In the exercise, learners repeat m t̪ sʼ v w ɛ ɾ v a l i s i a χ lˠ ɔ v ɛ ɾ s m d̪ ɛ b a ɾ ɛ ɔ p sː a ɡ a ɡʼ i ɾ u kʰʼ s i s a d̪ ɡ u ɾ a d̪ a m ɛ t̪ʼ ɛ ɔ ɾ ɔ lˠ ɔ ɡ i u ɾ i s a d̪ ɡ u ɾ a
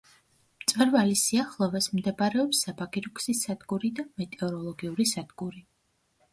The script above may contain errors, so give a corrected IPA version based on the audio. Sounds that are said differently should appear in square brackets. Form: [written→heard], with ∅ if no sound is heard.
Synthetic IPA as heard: m t̪ sʼ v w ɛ ɾ v a l i s i a χ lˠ ɔ v ɛ [ɾ→∅] s m d̪ ɛ b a ɾ ɛ ɔ p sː a [ɡ→b] a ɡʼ i ɾ u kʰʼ s i s a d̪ ɡ u ɾ [a→i] d̪ a m ɛ t̪ʼ ɛ ɔ ɾ ɔ lˠ ɔ ɡ i u ɾ i s a d̪ ɡ u ɾ [a→i]